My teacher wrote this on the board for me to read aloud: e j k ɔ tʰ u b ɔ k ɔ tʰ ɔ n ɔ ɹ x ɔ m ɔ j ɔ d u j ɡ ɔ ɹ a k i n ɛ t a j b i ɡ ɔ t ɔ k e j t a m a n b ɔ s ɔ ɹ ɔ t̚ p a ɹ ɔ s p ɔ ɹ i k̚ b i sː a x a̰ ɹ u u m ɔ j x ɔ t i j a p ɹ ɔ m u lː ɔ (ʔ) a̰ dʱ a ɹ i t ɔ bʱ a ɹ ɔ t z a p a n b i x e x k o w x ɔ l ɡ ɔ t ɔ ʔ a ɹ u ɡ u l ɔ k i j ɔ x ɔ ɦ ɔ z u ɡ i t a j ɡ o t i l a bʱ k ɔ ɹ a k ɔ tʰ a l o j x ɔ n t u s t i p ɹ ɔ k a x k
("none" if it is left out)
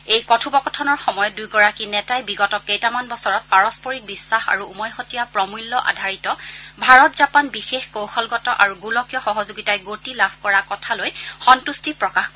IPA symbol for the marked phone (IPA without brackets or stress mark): ʔ